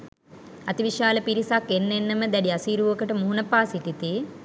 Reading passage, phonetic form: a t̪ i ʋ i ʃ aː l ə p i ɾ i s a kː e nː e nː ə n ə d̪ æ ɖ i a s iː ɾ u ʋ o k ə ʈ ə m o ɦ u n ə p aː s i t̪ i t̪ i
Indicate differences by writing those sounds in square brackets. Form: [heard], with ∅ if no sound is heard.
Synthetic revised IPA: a t̪ i ʋ i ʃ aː l ə p i ɾ i s a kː e nː e nː ə [m] ə d̪ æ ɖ i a s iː ɾ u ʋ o k ə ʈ ə m [u] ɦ u n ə p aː s i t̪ i t̪ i